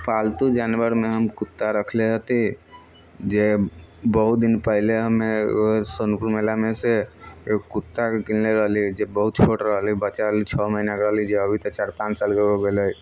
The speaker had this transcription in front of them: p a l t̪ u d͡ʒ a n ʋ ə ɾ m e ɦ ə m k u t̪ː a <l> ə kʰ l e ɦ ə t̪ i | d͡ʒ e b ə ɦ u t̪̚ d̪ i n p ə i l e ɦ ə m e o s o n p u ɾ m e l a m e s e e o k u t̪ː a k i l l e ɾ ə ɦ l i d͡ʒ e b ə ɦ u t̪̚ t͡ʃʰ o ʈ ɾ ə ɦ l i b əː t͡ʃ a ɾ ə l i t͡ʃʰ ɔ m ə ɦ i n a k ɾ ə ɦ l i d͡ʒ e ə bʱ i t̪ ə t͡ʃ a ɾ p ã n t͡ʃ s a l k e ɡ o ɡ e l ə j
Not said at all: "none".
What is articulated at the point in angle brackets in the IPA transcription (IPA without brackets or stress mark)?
ɾ